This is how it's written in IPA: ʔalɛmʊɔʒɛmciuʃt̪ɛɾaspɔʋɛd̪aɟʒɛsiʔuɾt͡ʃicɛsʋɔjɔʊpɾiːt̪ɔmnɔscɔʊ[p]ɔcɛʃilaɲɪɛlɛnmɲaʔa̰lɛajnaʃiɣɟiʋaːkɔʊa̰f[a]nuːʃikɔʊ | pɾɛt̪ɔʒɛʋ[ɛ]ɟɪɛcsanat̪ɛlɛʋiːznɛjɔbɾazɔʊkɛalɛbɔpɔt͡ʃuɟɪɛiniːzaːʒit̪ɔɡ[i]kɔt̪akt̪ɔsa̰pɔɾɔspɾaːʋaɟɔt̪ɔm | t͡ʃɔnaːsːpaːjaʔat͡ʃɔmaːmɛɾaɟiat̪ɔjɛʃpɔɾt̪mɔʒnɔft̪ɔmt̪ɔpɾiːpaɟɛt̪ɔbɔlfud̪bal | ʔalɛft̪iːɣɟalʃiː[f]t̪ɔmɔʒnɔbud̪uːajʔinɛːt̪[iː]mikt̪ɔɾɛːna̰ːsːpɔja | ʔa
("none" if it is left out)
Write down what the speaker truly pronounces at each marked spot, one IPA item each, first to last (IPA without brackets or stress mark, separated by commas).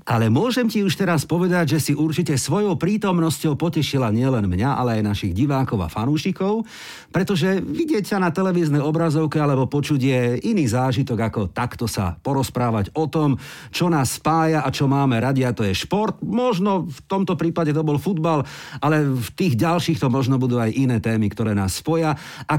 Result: p, a, i, a, x, ɛː